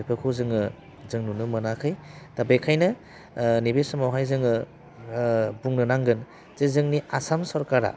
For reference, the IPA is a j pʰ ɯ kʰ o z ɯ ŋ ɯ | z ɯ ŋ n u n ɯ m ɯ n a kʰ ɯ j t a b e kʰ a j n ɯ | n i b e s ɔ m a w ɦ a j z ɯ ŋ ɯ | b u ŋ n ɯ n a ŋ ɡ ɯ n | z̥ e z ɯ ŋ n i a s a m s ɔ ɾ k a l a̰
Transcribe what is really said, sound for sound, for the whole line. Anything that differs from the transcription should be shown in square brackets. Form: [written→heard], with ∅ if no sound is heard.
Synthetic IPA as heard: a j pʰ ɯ kʰ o z ɯ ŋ ɯ | z ɯ ŋ n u n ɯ m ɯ n a kʰ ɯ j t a b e kʰ a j n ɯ | n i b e s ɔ m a w ɦ a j z ɯ ŋ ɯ | b u ŋ n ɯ n a ŋ ɡ ɯ n | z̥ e z ɯ ŋ n i a s a m s ɔ ɾ k a [l→ɾ] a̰